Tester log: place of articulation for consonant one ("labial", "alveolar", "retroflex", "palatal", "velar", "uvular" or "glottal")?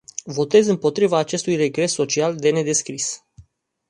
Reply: labial